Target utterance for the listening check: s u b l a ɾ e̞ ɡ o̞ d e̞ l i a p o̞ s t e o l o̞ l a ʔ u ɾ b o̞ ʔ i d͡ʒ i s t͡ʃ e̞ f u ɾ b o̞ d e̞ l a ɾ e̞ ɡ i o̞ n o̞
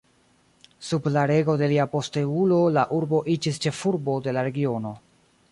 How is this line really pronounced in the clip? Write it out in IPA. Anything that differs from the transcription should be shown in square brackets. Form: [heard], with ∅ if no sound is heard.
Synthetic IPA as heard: s u b l a ɾ e̞ ɡ o̞ d e̞ l i a p o̞ s t e [u] l o̞ l a ʔ u ɾ b o̞ ʔ i d͡ʒ i s t͡ʃ e̞ f u ɾ b o̞ d e̞ l a ɾ e̞ ɡ i o̞ n o̞

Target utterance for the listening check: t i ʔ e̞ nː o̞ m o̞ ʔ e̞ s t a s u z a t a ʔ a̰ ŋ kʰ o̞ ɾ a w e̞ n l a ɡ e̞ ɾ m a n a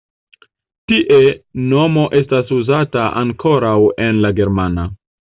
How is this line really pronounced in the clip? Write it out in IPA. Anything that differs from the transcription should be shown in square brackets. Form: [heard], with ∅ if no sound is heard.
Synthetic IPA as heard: t i ʔ e̞ [n] o̞ m o̞ ʔ e̞ s t a s u z a t a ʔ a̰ ŋ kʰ o̞ ɾ a w e̞ n l a ɡ e̞ ɾ m a n a

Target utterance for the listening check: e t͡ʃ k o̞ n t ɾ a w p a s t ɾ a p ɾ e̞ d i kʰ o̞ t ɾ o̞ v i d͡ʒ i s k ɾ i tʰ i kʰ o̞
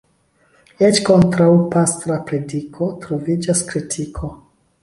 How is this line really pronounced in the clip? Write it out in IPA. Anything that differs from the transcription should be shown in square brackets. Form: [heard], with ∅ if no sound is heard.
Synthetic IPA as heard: e t͡ʃ k o̞ n t ɾ a w p a s t ɾ a p ɾ e̞ d i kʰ o̞ t ɾ o̞ v i d͡ʒ [a] s k ɾ i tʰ i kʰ o̞

